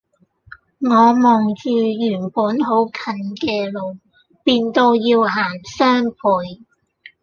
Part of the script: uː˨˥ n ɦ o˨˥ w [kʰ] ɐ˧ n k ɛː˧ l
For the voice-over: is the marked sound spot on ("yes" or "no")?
yes